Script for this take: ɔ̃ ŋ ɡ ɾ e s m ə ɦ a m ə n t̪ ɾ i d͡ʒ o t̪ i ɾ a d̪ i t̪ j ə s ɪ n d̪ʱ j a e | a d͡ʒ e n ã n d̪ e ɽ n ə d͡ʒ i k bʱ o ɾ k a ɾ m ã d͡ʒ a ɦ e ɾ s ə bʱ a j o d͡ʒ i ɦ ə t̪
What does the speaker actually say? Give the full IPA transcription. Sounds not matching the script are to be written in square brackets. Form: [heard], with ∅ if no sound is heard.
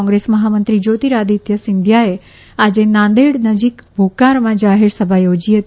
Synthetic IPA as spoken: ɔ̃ ŋ ɡ ɾ e s m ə ɦ a m ə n t̪ ɾ i d͡ʒ o t̪ i ɾ a d̪ i t̪ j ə s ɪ n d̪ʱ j a e | a d͡ʒ e n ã n d̪ e ɽ n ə d͡ʒ i k bʱ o [∅] k a ɾ m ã d͡ʒ a ɦ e ɾ s ə bʱ a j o d͡ʒ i ɦ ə t̪